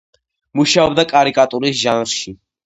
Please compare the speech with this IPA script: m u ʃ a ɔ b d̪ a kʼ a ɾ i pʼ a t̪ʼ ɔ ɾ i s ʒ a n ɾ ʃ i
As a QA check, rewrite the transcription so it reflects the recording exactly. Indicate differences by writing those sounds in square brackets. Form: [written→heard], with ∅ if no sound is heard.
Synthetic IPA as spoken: m u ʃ a ɔ b d̪ a kʼ a ɾ i [pʼ→kʼ] a t̪ʼ [ɔ→u] ɾ i s ʒ a n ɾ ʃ i